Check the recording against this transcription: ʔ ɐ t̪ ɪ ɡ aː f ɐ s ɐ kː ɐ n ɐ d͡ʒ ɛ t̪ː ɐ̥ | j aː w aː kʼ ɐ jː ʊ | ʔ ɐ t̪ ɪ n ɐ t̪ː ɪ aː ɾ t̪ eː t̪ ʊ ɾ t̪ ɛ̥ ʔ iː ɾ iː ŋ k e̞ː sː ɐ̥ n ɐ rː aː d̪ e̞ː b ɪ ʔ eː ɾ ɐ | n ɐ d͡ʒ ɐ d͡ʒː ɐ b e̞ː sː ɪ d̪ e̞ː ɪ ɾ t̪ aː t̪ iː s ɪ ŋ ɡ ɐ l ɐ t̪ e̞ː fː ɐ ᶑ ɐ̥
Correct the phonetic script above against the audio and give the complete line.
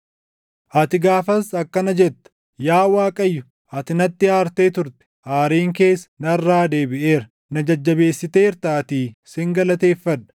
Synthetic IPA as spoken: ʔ ɐ t̪ ɪ ɡ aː f ɐ s ɐ kː ɐ n ɐ d͡ʒ ɛ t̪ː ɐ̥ | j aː w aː kʼ ɐ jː ʊ | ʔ ɐ t̪ ɪ n ɐ t̪ː ɪ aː ɾ t̪ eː t̪ ʊ ɾ t̪ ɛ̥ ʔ aː ɾ iː ŋ k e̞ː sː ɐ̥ n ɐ rː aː d̪ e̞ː b ɪ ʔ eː ɾ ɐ | n ɐ d͡ʒ ɐ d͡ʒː ɐ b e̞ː sː ɪ t̪ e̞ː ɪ ɾ t̪ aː t̪ iː s ɪ ŋ ɡ ɐ l ɐ t̪ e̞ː fː ɐ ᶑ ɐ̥